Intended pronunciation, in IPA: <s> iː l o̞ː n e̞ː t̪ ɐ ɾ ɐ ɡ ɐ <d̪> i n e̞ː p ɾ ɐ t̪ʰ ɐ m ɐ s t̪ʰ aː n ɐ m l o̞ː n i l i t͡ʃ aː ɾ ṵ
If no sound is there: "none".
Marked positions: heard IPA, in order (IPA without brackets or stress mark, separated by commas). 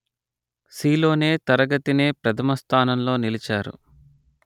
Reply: s, t̪